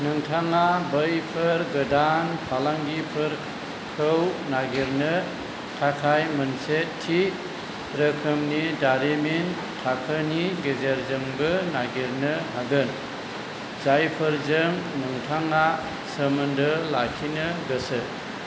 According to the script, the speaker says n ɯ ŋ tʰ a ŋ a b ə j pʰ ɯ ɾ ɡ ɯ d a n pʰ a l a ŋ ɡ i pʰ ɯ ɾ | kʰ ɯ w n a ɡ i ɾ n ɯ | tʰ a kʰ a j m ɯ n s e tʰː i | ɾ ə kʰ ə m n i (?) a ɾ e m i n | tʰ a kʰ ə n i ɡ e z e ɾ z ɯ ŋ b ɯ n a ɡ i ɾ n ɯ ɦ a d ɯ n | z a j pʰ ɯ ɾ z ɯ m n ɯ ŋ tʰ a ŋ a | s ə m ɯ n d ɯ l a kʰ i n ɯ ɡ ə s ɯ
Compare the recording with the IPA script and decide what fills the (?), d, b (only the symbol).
d